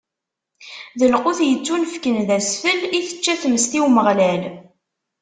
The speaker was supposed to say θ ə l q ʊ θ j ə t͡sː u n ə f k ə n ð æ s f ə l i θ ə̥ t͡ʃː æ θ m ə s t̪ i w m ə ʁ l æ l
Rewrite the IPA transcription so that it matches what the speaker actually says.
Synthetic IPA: ð ə l q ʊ θ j ə t͡sː u n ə f k ə n ð æ s f ə l i θ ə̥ t͡ʃː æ θ m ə s t̪ i w m ə ʁ l æ l